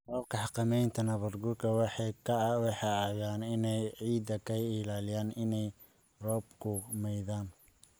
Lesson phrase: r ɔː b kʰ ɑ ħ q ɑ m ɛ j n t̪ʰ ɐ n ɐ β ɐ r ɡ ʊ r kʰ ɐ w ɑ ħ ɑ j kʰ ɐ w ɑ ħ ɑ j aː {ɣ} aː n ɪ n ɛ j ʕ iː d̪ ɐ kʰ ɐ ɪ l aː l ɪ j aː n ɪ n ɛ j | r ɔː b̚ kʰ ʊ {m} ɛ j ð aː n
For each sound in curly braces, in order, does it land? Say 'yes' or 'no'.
yes, yes

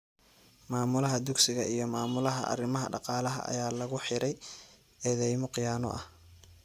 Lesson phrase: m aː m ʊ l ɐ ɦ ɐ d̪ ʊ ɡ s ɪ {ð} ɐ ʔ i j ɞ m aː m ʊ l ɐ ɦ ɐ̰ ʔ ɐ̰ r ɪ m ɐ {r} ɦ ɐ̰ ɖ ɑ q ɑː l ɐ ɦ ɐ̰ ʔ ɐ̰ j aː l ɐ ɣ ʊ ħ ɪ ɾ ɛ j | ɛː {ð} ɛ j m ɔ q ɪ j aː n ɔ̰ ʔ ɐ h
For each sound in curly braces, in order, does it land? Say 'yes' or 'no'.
no, no, yes

